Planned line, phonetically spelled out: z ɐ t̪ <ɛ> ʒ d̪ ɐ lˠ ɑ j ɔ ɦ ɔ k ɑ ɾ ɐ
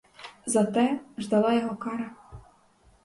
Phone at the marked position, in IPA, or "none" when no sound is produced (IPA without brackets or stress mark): ɛ